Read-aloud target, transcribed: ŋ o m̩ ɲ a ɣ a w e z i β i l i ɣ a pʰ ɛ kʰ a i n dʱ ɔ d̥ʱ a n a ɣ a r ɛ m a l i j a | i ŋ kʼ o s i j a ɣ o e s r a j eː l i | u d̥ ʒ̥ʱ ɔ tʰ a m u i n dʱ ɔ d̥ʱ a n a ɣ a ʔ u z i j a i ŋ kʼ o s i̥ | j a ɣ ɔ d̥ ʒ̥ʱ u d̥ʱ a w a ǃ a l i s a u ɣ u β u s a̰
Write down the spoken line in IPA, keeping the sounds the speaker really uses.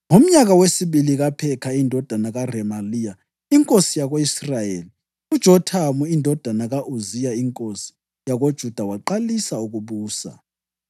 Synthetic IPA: ŋ o m̩ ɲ a ɣ a w e s i β i l i ɣ a pʰ ɛ kʰ a i n dʱ ɔ d̥ʱ a n a ɣ a r ɛ m a l i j a | i ŋ kʼ o s i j a ɣ o i s r a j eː l i | u d̥ ʒ̥ʱ ɔ tʰ a m u i n dʱ ɔ d̥ʱ a n a ɣ a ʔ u z i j a i ŋ kʼ o s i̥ | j a ɣ o d̥ ʒ̥ʱ u d̥ʱ a w a ǃ a l i s a u ɣ u β uː s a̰